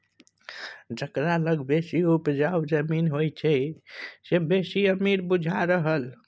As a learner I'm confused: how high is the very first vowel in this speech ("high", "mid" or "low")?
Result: mid